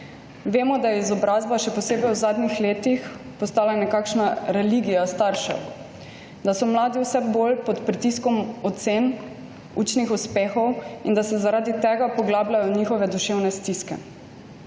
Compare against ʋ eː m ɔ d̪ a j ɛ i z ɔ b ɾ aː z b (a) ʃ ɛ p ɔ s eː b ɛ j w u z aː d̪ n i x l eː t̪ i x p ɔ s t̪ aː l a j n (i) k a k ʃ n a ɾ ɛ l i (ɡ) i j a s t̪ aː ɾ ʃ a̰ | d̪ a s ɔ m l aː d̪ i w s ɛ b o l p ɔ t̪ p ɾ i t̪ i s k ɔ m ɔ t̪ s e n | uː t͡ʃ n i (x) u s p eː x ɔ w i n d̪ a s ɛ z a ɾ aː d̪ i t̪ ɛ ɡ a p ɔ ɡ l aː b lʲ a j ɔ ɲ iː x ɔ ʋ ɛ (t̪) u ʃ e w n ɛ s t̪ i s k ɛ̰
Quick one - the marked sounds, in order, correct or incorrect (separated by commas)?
correct, incorrect, correct, correct, incorrect